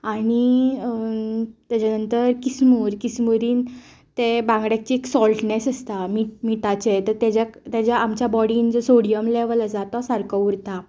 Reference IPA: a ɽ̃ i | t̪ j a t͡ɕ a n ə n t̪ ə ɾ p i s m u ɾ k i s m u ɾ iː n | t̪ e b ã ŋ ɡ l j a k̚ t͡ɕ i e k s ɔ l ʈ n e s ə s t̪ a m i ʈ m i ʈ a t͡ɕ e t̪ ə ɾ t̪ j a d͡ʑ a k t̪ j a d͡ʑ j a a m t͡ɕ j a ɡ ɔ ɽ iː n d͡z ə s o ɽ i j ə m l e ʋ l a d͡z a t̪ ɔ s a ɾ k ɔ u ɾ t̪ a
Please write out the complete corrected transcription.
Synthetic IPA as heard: a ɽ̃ i | t̪ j a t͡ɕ a n ə n t̪ ə ɾ k i s m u ɾ k i s m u ɾ iː n | t̪ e b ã ŋ ɡ ɽ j a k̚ t͡ɕ i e k s ɔ l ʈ n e s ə s t̪ a m i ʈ m i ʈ a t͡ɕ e t̪ ə ɾ t̪ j a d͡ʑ a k t̪ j a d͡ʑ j a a m t͡ɕ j a b ɔ ɽ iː n d͡z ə s o ɽ i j ə m l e ʋ l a d͡z a t̪ ɔ s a ɾ k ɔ u ɾ t̪ a

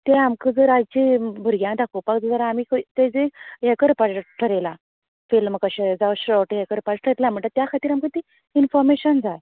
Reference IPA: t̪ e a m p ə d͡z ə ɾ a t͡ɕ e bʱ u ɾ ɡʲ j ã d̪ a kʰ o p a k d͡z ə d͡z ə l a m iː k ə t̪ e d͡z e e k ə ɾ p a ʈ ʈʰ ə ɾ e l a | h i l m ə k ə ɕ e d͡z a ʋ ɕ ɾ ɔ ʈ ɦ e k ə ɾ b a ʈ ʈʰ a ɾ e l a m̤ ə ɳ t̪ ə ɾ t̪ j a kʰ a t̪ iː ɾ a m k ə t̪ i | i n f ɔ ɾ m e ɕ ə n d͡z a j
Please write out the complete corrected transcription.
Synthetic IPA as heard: t̪ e a m k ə d͡z ə ɾ a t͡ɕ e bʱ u ɾ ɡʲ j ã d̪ a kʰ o p a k d͡z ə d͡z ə ɾ a m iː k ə t̪ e d͡z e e k ə ɾ p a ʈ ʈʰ ə ɾ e l a | f i l m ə k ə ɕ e d͡z a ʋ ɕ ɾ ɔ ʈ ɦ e k ə ɾ p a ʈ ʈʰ ə ɾ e l a m̤ ə ɳ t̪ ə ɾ t̪ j a kʰ a t̪ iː ɾ a m k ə t̪ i | i n f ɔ ɾ m e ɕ ə n d͡z a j

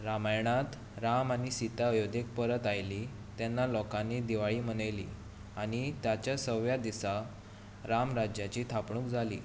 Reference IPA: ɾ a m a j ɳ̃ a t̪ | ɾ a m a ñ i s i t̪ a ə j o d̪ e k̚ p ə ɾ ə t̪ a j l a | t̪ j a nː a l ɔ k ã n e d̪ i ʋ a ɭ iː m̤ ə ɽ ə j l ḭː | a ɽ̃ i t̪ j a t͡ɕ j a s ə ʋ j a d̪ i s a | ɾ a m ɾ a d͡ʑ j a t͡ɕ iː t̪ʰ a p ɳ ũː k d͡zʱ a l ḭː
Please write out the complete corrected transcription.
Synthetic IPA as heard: ɾ a m a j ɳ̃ a t̪ | ɾ a m a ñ i s i t̪ a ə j o d̪ e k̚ p ə ɾ ə t̪ a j l i | t̪ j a nː a l ɔ k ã n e d̪ i ʋ a ɭ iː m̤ ə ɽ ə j l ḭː | a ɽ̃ i t̪ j a t͡ɕ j a s ə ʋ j a d̪ i s a | ɾ a m ɾ a d͡ʑ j a t͡ɕ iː t̪ʰ a p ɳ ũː k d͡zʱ a l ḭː

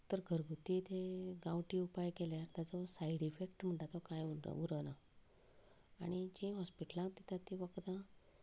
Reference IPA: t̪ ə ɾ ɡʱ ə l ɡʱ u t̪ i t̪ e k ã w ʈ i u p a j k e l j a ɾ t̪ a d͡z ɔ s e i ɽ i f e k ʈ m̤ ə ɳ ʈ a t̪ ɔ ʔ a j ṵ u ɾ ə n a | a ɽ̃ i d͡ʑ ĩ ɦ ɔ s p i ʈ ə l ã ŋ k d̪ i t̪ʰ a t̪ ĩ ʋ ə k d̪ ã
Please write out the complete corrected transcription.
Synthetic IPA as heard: t̪ ə ɾ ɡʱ ə ɾ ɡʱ u t̪ i t̪ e ɡ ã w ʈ i u p a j k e l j a ɾ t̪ a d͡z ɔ s a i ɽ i f e k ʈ m̤ ə ɳ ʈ a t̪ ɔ k a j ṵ u ɾ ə n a | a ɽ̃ i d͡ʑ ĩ ɦ ɔ s p i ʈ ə l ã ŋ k t̪ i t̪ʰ a t̪ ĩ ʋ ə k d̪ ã

